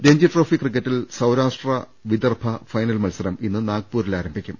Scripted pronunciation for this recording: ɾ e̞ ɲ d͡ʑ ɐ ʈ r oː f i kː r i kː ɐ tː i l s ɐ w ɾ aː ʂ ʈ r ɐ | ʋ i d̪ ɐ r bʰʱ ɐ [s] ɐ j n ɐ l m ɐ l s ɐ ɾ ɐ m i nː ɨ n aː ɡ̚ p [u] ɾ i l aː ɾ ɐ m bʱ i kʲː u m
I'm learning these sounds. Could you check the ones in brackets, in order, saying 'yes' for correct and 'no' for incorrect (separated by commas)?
no, no